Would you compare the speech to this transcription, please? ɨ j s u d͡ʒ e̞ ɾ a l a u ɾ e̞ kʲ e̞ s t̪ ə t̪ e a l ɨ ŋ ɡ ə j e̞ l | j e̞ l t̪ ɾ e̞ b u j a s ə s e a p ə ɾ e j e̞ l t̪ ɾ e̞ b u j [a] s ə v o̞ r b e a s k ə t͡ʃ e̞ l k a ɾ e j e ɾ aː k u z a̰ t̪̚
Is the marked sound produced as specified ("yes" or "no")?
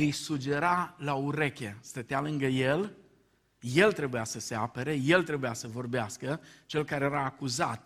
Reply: yes